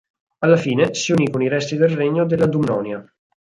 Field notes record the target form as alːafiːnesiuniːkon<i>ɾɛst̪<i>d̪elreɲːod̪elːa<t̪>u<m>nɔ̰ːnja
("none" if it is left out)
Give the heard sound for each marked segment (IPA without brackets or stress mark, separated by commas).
i, i, d̪, m